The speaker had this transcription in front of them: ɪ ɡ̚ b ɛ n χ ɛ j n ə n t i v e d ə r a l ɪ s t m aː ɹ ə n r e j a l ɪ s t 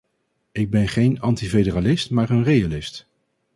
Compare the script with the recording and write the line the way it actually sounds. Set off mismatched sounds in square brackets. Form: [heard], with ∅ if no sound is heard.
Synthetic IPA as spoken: ɪ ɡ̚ b ɛ n χ [e] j n [ɑ] n t i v e d ə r a l ɪ s t m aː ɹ ə n r e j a l ɪ s t